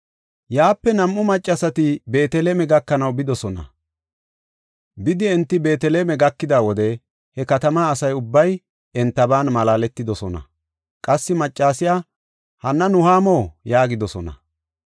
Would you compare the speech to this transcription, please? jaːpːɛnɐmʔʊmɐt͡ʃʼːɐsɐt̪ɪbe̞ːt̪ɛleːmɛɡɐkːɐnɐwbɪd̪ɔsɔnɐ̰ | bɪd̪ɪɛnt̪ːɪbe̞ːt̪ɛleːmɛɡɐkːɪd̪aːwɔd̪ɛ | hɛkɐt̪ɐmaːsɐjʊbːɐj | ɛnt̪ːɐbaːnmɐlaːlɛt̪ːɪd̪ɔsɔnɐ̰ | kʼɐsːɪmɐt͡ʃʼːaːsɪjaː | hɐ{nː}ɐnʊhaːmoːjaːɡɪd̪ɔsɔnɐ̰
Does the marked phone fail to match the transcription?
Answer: no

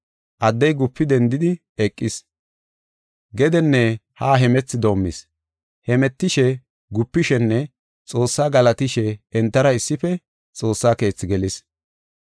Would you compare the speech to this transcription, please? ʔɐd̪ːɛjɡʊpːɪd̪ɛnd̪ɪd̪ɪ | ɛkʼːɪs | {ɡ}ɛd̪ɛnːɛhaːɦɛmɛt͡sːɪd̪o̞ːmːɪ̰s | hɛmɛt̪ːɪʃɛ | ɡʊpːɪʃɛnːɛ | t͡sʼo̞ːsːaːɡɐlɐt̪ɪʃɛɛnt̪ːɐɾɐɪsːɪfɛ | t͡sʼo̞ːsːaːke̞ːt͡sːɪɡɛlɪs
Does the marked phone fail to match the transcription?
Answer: no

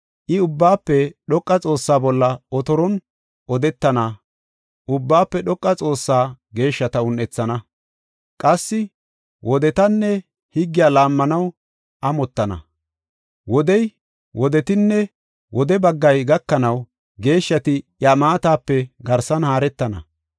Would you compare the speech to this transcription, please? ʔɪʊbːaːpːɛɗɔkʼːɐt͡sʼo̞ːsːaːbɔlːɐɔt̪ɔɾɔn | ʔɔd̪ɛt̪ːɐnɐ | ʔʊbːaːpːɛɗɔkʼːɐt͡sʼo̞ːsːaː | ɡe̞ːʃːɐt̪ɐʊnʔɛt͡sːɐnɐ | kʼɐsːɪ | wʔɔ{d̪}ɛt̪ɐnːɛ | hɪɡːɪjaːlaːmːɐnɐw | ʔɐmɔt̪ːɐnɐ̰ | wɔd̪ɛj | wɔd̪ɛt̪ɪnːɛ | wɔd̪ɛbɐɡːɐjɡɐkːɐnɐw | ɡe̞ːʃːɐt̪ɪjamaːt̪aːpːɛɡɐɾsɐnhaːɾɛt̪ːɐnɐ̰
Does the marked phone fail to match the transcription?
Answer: no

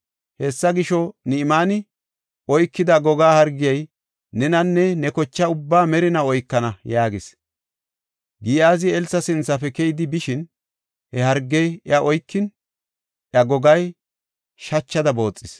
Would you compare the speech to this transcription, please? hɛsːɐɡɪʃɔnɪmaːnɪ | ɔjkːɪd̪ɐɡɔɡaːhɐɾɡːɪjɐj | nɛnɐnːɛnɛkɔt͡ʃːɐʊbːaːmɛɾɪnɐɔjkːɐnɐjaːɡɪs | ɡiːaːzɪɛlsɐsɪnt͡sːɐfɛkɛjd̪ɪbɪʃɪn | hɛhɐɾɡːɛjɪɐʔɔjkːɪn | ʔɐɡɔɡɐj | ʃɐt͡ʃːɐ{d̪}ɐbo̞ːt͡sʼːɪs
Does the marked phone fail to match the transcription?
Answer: no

